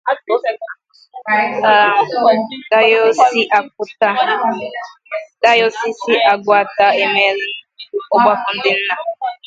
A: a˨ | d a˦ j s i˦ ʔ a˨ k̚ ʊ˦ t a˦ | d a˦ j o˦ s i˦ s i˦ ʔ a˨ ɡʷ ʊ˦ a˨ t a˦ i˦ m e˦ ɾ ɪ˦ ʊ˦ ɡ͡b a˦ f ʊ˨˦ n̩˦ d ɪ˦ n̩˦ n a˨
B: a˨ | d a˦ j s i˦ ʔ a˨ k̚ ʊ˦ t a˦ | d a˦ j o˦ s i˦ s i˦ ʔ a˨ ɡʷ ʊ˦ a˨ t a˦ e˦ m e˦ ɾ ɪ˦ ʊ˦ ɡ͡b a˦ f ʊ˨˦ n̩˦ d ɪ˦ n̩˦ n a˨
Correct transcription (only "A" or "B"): B